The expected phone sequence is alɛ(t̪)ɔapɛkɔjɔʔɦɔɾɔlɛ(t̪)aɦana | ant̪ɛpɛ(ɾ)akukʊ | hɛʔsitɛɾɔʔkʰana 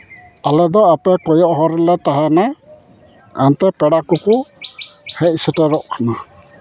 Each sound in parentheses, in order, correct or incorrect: incorrect: d̪, correct, incorrect: ɽ

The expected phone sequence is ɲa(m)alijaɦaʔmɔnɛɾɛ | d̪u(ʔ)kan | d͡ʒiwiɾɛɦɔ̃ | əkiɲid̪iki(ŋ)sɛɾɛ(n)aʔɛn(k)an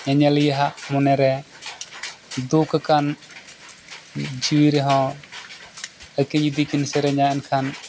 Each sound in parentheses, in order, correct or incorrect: incorrect: ɲ, incorrect: k, incorrect: n, incorrect: ɲ, incorrect: kʰ

